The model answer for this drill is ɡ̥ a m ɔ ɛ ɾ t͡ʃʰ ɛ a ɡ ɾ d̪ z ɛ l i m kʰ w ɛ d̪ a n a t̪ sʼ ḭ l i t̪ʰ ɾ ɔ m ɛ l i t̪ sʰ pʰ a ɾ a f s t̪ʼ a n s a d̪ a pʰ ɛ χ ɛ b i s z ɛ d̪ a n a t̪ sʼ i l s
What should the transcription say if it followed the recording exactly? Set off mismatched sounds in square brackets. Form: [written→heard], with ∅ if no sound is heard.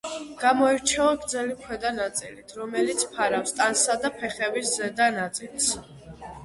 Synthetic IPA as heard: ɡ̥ a m ɔ ɛ ɾ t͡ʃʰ ɛ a ɡ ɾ d̪ z ɛ l i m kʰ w ɛ d̪ a n a t̪ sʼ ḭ l i t̪ʰ ɾ ɔ m ɛ l i t̪ sʰ pʰ a ɾ a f s t̪ʼ a n s a d̪ a pʰ ɛ χ ɛ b i s z ɛ d̪ a n a t̪ sʼ i l s